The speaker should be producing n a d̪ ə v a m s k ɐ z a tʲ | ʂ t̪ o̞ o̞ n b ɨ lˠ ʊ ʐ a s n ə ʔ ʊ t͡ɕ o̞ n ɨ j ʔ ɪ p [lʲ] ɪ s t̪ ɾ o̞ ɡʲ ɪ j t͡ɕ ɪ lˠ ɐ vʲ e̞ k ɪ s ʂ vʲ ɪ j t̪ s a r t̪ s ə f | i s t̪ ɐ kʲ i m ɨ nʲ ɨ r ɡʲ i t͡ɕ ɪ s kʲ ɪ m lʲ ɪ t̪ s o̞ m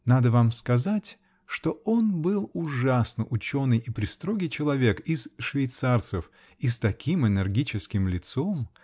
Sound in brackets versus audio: incorrect: ɾʲ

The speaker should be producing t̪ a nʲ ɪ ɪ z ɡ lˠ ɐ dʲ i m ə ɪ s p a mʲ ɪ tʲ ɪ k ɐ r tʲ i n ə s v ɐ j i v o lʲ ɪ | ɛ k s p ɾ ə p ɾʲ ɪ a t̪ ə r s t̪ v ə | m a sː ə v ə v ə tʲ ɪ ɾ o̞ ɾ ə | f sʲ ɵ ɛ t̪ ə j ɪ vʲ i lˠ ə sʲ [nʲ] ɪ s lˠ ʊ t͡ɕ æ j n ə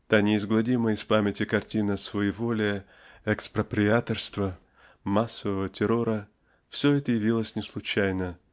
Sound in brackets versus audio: correct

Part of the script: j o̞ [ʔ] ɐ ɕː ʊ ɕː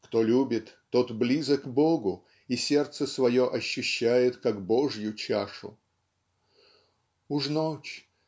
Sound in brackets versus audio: correct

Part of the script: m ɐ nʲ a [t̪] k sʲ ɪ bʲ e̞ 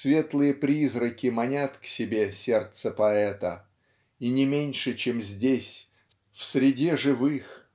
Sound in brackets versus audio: correct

